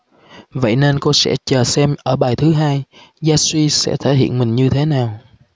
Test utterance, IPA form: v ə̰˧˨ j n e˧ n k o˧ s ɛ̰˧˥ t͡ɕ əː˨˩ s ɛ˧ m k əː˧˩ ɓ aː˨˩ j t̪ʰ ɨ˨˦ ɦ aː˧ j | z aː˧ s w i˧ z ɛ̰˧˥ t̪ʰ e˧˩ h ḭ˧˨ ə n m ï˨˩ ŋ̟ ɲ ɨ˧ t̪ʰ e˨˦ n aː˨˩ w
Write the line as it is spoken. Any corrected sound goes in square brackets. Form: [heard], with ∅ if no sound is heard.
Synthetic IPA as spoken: v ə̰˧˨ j n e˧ n k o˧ s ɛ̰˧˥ t͡ɕ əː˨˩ s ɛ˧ m [ʔ] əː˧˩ ɓ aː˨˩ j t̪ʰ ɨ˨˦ ɦ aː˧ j | z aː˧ s w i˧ [s] ɛ̰˧˥ t̪ʰ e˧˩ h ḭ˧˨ ə n m ï˨˩ ŋ̟ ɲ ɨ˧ t̪ʰ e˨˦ n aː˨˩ w